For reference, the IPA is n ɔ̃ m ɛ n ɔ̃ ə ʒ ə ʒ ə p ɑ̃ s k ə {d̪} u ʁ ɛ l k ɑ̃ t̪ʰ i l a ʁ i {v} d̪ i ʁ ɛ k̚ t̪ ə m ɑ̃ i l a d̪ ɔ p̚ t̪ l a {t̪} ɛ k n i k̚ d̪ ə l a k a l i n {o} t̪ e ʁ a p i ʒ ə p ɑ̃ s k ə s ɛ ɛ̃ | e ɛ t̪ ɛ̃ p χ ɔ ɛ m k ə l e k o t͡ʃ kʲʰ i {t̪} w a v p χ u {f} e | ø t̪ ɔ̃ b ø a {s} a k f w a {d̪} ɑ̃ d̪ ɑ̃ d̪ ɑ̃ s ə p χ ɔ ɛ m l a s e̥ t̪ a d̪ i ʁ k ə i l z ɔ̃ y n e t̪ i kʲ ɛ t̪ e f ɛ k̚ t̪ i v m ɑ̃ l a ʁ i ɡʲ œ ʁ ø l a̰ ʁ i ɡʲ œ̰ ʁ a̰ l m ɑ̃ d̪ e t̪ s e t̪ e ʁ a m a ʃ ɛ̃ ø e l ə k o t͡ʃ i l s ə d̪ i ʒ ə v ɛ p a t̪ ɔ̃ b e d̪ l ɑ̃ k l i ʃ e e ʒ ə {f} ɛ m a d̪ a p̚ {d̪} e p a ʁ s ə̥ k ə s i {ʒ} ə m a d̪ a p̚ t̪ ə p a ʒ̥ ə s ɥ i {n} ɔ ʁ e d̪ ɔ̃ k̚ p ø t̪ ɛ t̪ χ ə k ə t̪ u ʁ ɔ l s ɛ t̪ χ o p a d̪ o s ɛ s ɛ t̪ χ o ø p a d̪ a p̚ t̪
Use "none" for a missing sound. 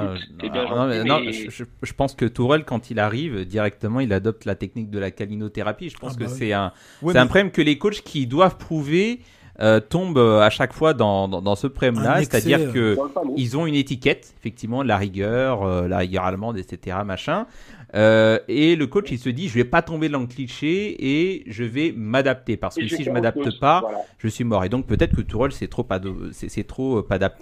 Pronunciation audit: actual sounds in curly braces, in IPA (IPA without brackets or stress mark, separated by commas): t̪, v, t̪, o, d̪, v, ʃ, d̪, v, t̪, ʒ, m